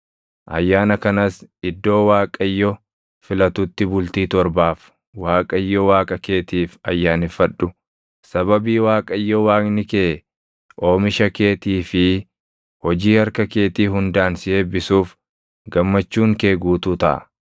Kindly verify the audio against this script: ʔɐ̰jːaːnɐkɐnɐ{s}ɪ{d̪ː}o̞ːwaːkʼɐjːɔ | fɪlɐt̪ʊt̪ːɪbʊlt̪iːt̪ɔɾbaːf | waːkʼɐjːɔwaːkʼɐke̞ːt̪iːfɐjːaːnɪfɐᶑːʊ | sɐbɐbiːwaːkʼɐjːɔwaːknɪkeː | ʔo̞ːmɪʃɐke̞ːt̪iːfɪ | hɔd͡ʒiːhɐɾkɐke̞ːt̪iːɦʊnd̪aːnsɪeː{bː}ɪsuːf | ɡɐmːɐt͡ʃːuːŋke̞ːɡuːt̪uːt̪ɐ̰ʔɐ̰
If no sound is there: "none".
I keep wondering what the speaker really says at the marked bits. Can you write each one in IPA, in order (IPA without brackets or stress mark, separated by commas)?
s, d̪ː, b